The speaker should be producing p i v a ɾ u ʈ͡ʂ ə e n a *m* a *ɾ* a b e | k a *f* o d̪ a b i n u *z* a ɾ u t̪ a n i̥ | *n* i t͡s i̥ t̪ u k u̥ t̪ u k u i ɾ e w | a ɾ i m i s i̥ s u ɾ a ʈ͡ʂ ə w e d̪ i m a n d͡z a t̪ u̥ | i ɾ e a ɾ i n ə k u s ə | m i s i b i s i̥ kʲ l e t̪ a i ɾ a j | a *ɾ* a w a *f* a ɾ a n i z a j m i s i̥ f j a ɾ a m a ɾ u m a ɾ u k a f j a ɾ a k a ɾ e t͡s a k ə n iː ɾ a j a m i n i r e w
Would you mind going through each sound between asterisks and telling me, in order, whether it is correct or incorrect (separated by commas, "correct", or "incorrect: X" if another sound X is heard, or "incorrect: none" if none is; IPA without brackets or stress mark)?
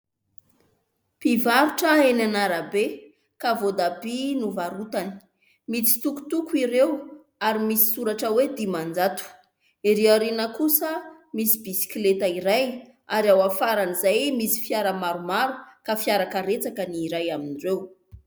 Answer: incorrect: n, correct, incorrect: v, incorrect: v, incorrect: m, correct, correct